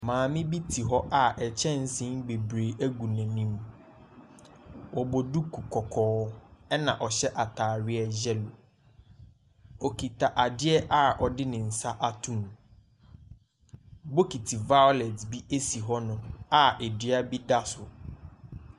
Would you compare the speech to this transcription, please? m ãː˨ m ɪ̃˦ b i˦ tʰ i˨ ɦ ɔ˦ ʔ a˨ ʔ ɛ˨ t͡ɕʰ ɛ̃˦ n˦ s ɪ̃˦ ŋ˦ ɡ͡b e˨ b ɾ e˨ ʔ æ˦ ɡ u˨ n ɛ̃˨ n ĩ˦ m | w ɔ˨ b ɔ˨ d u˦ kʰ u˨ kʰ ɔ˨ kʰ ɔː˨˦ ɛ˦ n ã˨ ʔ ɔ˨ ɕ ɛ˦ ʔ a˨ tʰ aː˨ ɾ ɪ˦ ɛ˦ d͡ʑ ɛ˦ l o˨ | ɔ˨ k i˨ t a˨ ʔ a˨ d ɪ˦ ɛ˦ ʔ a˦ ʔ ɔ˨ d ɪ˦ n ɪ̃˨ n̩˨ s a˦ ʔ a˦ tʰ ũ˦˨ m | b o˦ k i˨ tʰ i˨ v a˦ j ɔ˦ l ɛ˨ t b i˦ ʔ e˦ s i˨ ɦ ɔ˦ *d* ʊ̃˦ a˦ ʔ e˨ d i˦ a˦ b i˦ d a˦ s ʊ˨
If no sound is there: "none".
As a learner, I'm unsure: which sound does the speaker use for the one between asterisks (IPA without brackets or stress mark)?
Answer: n